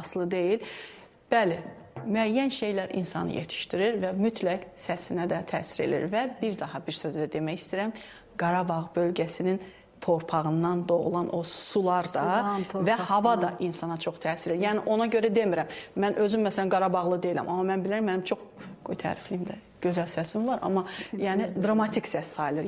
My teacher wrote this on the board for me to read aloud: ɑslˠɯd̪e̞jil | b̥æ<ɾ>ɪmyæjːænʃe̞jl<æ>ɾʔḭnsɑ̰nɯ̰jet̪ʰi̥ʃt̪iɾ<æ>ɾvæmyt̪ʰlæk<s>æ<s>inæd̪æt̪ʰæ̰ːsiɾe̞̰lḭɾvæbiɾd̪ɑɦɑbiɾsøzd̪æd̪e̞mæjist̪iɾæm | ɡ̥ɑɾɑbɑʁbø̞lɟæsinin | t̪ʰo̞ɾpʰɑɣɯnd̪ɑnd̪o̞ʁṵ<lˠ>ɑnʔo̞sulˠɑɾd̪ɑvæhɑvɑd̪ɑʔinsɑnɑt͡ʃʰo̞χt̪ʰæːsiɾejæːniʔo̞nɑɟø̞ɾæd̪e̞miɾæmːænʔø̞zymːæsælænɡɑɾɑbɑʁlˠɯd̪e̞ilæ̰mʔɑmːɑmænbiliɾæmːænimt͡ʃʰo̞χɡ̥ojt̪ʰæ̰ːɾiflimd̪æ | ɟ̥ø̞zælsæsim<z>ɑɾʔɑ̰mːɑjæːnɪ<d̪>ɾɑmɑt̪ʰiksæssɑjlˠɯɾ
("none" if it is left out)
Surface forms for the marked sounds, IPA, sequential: l, æ, i, s, s, lˠ, v, d̪

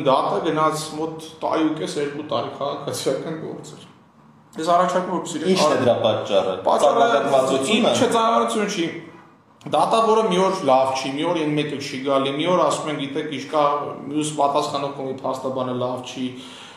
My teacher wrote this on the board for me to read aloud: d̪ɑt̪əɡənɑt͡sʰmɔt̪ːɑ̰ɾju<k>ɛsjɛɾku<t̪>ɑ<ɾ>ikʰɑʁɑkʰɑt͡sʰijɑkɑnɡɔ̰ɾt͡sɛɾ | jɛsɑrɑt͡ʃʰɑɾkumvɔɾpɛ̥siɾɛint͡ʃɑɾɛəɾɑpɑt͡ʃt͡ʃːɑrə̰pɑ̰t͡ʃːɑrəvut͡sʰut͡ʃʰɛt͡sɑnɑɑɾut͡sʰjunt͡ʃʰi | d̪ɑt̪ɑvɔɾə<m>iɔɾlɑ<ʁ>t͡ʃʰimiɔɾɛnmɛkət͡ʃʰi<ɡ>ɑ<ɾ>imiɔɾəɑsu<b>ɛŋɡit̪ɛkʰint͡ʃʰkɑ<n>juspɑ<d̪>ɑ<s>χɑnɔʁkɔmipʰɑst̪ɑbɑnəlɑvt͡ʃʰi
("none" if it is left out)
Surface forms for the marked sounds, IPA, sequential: k, t̪, ɾ, m, v, ɡ, l, m, m, t̪, s

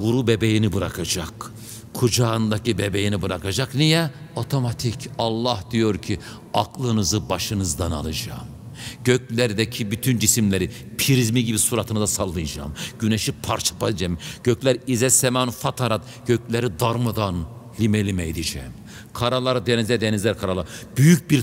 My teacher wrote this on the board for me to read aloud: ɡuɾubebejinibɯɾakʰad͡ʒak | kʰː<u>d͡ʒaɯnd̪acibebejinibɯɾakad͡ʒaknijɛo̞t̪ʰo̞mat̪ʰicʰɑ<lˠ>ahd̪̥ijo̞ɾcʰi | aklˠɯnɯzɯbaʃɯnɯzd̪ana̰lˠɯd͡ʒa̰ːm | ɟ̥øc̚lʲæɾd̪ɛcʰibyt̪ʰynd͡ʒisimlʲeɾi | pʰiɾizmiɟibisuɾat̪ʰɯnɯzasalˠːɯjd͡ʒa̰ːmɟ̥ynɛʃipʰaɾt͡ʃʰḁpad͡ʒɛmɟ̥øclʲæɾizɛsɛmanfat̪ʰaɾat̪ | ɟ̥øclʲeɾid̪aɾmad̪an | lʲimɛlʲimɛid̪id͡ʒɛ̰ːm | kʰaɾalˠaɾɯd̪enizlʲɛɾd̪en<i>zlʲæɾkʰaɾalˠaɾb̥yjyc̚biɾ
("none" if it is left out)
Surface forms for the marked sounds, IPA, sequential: u, lˠː, i

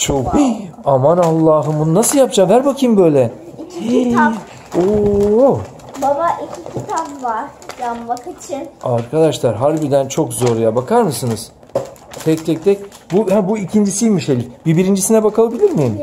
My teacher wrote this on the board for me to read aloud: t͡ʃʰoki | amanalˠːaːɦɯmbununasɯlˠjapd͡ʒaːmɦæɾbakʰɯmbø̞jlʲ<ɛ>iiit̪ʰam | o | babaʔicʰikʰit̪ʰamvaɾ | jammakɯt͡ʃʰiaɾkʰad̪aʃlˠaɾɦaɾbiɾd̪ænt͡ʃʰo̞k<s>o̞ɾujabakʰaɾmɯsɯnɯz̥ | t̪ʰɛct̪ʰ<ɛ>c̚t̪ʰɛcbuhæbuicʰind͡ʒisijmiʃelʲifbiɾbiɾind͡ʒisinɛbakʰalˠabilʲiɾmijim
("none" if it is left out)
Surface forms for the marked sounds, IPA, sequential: ɛ, z, ɛ

